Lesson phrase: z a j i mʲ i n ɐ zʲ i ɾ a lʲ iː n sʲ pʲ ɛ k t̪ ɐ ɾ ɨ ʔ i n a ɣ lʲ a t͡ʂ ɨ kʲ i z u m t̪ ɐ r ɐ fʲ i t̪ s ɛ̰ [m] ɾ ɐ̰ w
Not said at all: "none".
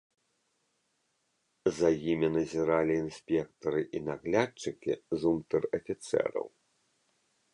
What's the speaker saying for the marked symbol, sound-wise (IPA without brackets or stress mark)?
none